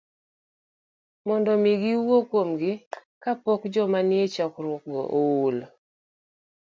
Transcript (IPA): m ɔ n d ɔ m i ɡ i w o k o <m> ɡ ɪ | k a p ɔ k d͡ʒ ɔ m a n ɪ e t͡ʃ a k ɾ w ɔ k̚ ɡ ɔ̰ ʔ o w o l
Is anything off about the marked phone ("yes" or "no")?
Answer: no